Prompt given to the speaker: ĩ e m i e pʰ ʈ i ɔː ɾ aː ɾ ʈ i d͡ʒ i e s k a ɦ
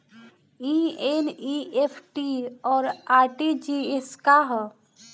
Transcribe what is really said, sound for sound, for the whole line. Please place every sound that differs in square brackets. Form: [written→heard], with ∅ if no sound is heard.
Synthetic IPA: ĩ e [m→n] i e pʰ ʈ i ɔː ɾ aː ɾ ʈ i d͡ʒ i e s k a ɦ